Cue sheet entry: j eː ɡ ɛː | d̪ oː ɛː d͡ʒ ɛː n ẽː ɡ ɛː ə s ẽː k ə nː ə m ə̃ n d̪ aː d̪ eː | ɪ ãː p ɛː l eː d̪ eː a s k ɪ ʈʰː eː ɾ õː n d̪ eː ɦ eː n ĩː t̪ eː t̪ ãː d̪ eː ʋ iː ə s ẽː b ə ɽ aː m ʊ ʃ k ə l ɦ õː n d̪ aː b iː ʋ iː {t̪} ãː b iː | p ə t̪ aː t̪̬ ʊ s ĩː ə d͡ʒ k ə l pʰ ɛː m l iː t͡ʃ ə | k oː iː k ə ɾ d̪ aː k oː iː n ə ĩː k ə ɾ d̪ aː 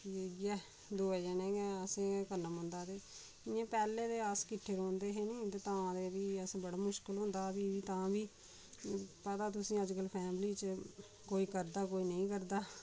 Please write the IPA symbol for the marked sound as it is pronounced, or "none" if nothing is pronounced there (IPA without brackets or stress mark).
t̪